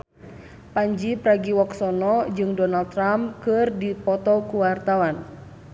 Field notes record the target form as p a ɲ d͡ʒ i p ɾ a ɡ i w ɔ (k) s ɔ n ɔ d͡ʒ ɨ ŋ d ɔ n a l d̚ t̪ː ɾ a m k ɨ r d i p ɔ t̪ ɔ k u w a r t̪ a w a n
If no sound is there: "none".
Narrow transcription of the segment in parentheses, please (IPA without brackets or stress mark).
k